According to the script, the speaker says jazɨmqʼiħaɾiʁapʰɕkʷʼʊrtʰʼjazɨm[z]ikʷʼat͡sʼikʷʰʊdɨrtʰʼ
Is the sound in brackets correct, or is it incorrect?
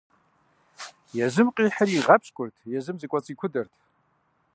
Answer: correct